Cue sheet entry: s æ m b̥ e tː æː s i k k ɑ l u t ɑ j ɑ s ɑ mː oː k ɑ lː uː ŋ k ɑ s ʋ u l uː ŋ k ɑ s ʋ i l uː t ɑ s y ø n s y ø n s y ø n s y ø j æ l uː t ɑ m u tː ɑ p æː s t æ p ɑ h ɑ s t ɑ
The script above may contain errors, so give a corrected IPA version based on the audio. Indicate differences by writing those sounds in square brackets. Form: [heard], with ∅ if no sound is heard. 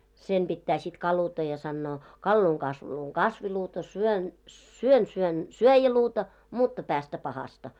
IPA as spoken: s [e] m b̥ [i] tː æː s i [t] k ɑ l u t ɑ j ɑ s ɑ [nː] oː k ɑ lː uː ŋ k ɑ s ʋ u l uː ŋ k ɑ s ʋ i l uː t ɑ s y ø n s y ø n s y ø n s y ø j æ l uː t ɑ m u tː ɑ p æː s t æ p ɑ h ɑ s t ɑ